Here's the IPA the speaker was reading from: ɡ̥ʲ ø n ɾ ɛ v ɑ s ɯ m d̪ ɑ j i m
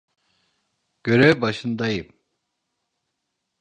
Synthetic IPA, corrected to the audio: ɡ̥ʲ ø ɾ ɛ b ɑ ʃ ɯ n d̪ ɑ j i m